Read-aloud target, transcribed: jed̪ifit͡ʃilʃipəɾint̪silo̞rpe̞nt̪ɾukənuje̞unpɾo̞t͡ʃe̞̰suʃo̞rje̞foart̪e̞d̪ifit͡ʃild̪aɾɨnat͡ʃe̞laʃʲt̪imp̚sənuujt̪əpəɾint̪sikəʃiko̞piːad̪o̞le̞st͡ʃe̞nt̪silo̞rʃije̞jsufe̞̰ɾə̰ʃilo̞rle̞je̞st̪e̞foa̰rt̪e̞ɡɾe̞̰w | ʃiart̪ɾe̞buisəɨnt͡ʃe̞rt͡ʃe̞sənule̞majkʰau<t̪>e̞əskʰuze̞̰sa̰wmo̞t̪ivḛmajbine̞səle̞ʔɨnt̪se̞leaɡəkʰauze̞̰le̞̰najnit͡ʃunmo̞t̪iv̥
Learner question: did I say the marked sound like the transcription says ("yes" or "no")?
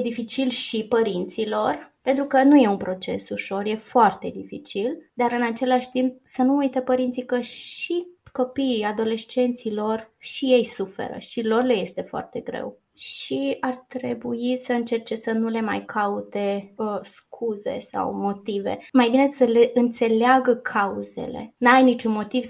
yes